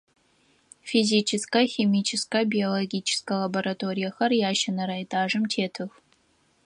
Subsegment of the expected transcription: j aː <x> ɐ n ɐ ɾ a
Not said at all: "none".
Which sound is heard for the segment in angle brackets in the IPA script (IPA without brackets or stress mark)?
ʃ